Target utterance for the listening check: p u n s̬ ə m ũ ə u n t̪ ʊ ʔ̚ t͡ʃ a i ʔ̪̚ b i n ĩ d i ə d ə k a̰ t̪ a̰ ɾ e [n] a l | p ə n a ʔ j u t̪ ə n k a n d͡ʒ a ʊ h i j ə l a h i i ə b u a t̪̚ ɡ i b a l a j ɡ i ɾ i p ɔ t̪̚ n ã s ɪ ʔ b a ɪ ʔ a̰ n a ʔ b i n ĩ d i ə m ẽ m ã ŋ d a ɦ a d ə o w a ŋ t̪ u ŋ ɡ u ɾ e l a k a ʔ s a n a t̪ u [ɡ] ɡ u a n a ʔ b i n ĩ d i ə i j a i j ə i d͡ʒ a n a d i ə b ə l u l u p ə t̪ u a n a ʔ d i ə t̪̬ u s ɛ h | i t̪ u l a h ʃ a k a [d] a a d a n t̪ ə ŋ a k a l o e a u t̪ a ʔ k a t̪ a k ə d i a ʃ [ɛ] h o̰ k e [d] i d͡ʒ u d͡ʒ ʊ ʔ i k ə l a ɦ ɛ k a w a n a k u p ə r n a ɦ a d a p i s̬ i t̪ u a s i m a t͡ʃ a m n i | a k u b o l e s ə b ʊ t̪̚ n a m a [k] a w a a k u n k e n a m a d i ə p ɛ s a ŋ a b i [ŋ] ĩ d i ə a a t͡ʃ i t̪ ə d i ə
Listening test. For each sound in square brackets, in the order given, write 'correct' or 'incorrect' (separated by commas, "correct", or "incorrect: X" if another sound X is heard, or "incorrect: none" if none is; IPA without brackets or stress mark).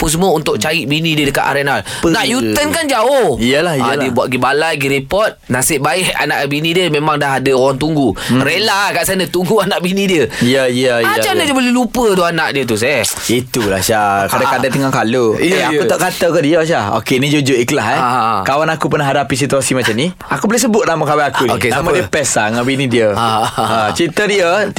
correct, incorrect: ŋ, correct, incorrect: a, incorrect: n, correct, incorrect: n